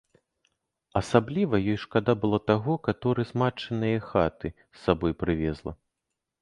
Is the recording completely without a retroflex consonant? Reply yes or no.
no